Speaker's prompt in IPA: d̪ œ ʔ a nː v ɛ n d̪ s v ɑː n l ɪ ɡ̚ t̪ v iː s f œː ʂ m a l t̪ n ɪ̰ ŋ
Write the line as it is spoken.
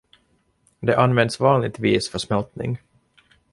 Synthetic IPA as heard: d̪ ɛ ʔ a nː v ɛ n d̪ s v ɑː n l ɪ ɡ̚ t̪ v iː s f œ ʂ m ɛ l t̪ n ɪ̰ ŋ

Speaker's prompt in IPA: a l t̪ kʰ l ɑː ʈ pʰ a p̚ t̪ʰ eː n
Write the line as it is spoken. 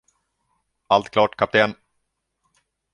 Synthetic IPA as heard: a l t̪ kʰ l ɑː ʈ kʰ a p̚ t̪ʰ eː n

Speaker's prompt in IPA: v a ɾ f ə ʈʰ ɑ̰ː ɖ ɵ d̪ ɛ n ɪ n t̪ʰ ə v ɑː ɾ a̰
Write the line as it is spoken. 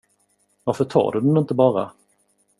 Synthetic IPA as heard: v a ɾ f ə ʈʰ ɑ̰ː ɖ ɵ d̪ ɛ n ɪ n t̪ ə b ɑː ɾ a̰

